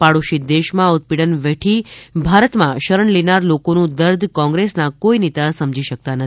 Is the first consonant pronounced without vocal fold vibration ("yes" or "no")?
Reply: yes